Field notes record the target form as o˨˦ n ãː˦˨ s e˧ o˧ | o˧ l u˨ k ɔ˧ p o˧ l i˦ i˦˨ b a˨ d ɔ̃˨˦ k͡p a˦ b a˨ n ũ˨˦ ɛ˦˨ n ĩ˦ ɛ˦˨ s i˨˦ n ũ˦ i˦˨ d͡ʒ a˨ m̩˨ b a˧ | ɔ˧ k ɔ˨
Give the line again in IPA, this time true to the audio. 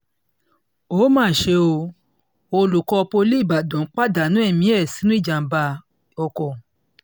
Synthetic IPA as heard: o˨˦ m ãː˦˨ ʃ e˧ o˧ | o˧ l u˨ k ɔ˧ p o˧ l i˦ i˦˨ b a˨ d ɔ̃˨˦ k͡p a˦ d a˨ n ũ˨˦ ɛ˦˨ m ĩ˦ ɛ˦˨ s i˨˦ n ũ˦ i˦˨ d͡ʒ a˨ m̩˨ b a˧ | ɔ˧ k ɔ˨

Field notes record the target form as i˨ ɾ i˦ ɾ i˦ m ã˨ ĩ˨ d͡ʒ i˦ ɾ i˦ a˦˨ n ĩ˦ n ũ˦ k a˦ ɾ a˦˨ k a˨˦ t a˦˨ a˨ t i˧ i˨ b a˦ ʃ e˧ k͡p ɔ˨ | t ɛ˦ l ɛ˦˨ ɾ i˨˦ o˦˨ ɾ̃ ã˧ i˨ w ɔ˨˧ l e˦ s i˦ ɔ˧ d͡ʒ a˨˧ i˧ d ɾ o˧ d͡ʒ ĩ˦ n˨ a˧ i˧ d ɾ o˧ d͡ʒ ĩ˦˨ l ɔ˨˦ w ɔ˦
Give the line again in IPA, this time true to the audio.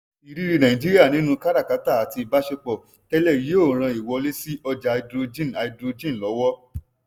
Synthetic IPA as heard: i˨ ɾ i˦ ɾ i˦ n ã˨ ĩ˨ d͡ʒ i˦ ɾ i˦ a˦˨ n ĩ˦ n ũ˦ k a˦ ɾ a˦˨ k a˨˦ t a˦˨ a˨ t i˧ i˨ b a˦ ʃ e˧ k͡p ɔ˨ | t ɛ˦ l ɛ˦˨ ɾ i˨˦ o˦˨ ɾ̃ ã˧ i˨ w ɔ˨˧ l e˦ s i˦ ɔ˧ d͡ʒ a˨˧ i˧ d ɾ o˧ d͡ʒ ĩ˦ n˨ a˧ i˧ d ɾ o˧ d͡ʒ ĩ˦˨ l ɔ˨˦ w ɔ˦

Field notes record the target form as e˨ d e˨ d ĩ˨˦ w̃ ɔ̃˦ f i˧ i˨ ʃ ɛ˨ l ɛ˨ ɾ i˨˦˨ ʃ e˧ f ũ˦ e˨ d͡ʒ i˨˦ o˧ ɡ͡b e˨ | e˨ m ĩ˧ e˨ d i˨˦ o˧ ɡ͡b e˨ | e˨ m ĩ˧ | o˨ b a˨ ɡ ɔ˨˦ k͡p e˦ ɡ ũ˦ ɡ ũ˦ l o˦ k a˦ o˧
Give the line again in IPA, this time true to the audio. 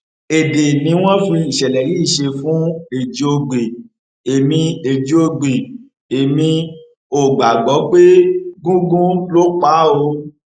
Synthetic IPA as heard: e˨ d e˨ n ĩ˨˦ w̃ ɔ̃˦ f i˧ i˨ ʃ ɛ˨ l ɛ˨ ɾ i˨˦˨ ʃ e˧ f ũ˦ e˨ d͡ʒ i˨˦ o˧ ɡ͡b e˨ | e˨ m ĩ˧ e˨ d͡ʒ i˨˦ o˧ ɡ͡b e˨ | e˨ m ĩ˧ | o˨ ɡ͡b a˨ ɡ͡b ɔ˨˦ k͡p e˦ ɡ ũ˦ ɡ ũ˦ l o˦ k͡p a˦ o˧

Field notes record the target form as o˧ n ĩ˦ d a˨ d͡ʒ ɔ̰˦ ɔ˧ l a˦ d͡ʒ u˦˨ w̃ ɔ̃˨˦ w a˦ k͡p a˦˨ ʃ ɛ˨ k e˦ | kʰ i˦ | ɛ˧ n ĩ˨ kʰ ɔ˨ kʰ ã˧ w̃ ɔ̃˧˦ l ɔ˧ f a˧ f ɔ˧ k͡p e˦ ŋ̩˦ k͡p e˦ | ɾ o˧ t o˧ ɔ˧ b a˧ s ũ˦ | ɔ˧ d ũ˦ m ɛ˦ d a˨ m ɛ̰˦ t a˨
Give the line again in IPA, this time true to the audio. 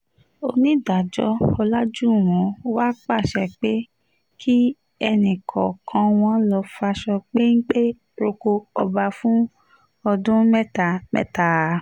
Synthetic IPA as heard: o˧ n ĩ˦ d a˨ d͡ʒ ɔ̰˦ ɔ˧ l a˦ d͡ʒ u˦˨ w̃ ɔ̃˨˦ w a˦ k͡p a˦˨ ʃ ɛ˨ k͡p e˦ | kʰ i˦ | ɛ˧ n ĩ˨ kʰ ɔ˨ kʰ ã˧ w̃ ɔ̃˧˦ l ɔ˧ f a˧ ʃ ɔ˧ k͡p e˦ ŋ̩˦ k͡p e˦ | ɾ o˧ k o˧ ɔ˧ b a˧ f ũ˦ | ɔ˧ d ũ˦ m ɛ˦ t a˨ m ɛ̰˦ t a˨

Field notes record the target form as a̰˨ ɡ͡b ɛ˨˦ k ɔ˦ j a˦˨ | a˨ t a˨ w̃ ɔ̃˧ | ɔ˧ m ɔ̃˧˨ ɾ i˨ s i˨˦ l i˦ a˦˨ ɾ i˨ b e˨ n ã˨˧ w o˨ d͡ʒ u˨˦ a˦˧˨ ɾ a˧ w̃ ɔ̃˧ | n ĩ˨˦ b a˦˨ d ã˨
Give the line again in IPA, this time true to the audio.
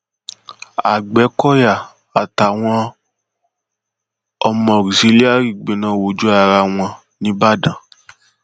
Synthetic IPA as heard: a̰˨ ɡ͡b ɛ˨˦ k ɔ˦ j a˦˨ | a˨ t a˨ w̃ ɔ̃˧ | ɔ˧ m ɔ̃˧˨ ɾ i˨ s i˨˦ l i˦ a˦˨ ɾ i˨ ɡ͡b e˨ n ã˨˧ w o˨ d͡ʒ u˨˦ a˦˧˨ ɾ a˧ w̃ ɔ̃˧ | n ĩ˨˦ b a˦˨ d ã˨

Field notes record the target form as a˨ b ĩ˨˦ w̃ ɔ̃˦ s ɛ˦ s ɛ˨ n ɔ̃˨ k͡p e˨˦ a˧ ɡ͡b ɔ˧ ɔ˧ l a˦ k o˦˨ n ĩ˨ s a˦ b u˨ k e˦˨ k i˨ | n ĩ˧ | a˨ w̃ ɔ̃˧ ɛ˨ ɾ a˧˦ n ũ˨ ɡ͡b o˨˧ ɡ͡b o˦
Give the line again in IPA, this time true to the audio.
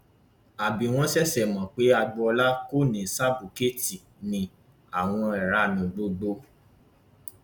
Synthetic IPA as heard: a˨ b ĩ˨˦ w̃ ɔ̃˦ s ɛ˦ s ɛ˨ m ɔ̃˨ k͡p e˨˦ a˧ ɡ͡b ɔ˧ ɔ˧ l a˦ k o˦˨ n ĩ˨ s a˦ b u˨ k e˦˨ t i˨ | n ĩ˧ | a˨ w̃ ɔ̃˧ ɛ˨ ɾ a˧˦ n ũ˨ ɡ͡b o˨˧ ɡ͡b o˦

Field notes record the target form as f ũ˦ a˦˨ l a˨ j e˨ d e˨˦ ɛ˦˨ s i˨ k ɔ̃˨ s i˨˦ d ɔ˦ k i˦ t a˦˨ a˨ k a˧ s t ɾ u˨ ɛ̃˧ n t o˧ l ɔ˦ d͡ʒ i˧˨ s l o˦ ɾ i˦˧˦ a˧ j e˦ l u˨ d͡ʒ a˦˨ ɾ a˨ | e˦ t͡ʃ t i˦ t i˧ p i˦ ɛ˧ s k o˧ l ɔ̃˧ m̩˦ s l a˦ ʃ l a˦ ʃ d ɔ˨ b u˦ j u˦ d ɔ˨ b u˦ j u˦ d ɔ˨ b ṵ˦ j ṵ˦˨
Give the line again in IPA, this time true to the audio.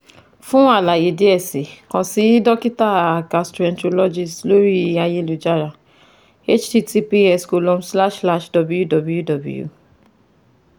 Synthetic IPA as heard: f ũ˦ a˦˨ l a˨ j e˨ d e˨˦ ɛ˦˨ s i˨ k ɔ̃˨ s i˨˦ d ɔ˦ k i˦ t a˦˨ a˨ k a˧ s t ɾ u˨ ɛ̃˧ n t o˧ l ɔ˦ d͡ʒ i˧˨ s l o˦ ɾ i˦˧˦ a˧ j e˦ l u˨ d͡ʒ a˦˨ ɾ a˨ | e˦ t͡ʃ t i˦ t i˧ p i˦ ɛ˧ s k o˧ l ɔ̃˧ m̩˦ s l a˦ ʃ l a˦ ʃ d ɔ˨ b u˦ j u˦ d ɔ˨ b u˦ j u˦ d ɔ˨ b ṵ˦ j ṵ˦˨

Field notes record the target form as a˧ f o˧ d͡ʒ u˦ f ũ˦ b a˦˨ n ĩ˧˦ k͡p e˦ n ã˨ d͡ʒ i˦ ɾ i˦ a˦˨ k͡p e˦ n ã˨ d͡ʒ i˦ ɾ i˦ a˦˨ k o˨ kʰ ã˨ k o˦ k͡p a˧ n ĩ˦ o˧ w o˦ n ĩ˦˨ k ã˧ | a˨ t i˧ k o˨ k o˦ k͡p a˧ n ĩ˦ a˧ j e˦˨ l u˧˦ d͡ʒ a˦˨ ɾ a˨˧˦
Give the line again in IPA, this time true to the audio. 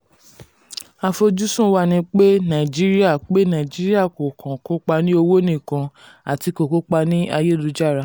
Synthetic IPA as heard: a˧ f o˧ d͡ʒ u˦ s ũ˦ w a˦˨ n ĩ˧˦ k͡p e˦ n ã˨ d͡ʒ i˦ ɾ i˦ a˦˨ k͡p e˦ n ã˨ d͡ʒ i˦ ɾ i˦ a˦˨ k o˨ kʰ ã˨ k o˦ k͡p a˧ n ĩ˦ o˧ w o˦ n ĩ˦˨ k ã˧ | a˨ t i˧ k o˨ k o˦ k͡p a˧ n ĩ˦ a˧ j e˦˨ l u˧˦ d͡ʒ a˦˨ ɾ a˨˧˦

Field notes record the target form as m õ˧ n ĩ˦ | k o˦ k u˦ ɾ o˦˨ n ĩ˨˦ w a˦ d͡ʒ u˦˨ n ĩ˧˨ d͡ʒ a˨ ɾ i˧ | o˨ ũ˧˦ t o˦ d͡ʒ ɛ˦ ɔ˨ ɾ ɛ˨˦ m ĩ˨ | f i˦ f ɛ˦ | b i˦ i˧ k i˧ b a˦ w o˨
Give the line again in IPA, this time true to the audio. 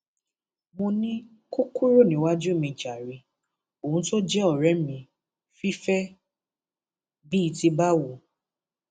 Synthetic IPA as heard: m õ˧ n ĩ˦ | k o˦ k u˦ ɾ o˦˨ n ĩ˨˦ w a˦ d͡ʒ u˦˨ m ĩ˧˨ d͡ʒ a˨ ɾ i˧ | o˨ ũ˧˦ t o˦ d͡ʒ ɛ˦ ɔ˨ ɾ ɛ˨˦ m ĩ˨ | f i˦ f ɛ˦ | b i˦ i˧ t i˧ b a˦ w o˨

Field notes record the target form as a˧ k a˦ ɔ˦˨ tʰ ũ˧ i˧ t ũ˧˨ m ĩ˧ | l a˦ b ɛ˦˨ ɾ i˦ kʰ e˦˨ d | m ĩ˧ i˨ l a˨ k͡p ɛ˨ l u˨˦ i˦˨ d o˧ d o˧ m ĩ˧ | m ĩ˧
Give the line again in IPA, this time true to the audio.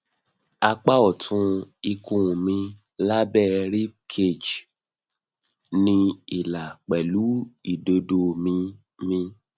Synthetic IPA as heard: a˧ k͡p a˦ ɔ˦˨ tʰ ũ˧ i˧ k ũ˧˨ m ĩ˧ | l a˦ b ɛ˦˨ ɾ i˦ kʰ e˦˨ d͡ʒ | n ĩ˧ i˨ l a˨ k͡p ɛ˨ l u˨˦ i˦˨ d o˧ d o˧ m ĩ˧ | m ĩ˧

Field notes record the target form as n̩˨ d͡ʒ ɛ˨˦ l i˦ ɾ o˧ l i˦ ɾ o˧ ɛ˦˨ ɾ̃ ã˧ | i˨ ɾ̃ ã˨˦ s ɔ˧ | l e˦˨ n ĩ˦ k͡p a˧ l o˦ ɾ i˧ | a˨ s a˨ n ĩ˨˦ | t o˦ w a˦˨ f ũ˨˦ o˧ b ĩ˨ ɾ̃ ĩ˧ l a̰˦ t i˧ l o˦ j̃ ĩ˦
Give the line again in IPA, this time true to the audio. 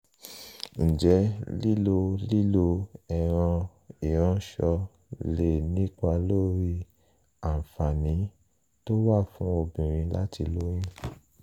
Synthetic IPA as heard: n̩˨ d͡ʒ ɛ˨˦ l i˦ l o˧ l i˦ l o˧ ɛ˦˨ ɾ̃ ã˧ | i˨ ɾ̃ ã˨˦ ʃ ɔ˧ | l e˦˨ n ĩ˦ k͡p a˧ l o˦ ɾ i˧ | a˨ f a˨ n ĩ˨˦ | t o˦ w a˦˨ f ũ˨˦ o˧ b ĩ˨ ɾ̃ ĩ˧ l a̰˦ t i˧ l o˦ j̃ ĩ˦

